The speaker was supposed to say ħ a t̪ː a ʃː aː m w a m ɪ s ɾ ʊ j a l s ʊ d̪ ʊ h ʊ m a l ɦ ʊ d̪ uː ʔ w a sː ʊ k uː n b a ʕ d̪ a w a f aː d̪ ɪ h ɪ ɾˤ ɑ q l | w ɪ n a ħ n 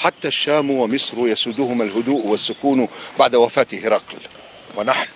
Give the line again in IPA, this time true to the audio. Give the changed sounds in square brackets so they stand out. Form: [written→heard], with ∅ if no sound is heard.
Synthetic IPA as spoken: ħ a t̪ː a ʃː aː m w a m ɪ s ɾ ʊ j a [l→∅] s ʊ d̪ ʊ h ʊ m a l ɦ ʊ d̪ uː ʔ w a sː ʊ k uː n b a ʕ d̪ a w a f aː [d̪→t̪] ɪ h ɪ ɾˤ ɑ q l | w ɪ n a ħ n